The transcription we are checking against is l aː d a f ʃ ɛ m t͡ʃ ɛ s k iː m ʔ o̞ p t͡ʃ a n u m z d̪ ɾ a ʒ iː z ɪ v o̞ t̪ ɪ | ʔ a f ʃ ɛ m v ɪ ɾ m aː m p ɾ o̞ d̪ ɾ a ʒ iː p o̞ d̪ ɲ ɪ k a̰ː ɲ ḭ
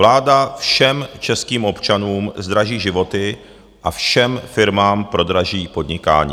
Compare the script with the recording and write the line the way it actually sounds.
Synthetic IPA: l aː d a f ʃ ɛ m t͡ʃ ɛ s k iː m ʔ o̞ p t͡ʃ a n uː m z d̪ ɾ a ʒ iː ʒ ɪ v o̞ t̪ ɪ | ʔ a f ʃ ɛ m f ɪ ɾ m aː m p ɾ o̞ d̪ ɾ a ʒ iː p o̞ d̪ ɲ ɪ k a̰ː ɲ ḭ